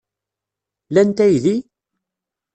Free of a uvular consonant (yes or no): yes